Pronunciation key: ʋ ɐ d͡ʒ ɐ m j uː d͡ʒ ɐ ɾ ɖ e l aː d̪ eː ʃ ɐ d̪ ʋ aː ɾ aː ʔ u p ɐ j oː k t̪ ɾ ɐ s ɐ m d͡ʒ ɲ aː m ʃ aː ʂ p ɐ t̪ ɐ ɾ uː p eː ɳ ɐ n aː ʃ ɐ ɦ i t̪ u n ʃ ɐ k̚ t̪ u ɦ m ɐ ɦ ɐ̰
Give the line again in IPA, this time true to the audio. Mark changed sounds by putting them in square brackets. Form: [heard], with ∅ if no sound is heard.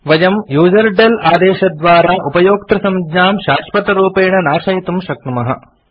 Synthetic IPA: ʋ ɐ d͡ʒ ɐ m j uː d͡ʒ ɐ ɾ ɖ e l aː d̪ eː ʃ ɐ d̪ ʋ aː ɾ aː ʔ u p ɐ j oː k t̪ ɾ ɐ s ɐ m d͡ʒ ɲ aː m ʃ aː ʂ p ɐ t̪ ɐ ɾ uː p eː ɳ ɐ n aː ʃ ɐ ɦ i t̪ u [m] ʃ ɐ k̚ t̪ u [∅] m ɐ ɦ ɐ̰